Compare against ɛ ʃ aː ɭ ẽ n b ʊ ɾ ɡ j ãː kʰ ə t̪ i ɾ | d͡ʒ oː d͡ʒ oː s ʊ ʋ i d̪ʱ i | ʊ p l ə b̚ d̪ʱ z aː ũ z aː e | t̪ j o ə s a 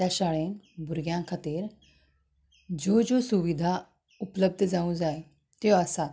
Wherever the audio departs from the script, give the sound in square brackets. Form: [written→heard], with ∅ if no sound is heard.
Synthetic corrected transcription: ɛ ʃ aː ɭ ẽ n b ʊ ɾ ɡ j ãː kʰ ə t̪ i ɾ | d͡ʒ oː d͡ʒ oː s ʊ ʋ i d̪ʱ [i→a] | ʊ p l ə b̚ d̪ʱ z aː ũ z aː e | t̪ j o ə s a